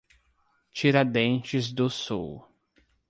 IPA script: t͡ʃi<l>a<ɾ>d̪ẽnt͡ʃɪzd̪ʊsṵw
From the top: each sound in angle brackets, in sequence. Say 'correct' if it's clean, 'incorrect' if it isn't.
incorrect, incorrect

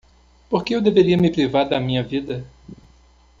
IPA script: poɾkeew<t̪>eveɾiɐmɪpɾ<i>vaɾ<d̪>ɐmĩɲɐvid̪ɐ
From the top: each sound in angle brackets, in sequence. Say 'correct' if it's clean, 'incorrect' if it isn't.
incorrect, correct, correct

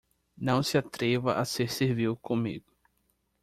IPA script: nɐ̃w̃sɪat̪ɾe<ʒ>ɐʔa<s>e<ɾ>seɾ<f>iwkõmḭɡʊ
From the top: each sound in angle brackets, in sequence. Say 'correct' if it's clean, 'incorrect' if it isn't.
incorrect, correct, correct, incorrect

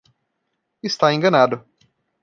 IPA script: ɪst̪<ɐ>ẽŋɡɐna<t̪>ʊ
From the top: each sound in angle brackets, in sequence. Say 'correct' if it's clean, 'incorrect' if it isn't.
incorrect, incorrect

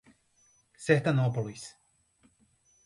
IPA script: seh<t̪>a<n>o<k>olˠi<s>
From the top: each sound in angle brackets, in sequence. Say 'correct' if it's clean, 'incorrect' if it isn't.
correct, correct, incorrect, correct

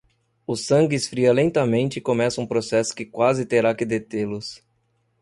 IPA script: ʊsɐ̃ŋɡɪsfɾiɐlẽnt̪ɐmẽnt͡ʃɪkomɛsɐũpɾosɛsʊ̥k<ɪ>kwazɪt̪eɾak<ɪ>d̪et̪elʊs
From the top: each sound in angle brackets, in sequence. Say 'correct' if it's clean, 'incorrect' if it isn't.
correct, correct

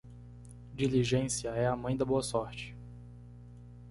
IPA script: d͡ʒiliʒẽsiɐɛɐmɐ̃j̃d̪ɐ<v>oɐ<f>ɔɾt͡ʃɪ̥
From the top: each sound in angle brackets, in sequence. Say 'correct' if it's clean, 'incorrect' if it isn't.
incorrect, incorrect

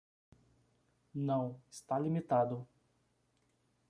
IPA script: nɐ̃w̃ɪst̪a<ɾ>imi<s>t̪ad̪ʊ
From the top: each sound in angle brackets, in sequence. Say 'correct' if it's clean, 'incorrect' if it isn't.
incorrect, incorrect

